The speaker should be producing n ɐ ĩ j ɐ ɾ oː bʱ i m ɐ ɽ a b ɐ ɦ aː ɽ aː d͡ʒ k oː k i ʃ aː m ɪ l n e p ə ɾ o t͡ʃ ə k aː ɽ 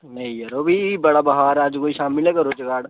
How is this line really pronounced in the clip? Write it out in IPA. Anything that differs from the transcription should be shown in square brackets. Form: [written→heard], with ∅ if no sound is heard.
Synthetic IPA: n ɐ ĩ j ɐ ɾ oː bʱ i [m→b] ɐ ɽ a b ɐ ɦ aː [ɽ→ɾ] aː d͡ʒ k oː [k→∅] i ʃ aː m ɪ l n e [p→k] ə ɾ o t͡ʃ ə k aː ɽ